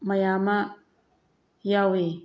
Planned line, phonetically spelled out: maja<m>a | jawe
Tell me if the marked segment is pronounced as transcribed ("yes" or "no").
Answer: yes